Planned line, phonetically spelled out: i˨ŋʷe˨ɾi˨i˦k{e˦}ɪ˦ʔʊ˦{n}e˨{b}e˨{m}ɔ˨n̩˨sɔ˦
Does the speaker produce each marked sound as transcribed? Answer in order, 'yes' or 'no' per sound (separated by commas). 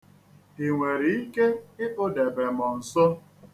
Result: yes, no, yes, yes